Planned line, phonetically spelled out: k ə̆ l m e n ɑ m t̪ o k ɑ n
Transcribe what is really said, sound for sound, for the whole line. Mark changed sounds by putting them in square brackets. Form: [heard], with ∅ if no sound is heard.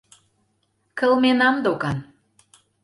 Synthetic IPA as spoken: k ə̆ l m e n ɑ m [d̪] o k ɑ n